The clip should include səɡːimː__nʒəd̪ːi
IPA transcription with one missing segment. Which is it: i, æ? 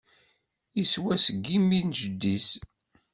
i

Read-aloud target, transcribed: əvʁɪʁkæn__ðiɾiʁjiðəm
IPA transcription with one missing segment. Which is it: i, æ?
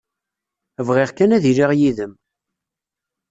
æ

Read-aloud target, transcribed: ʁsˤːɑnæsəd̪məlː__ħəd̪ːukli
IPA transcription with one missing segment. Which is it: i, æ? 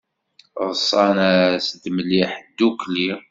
i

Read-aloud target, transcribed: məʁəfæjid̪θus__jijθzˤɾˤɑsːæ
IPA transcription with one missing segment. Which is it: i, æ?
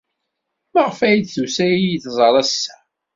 æ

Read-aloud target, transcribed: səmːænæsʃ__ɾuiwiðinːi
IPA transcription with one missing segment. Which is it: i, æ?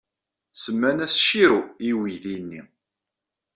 i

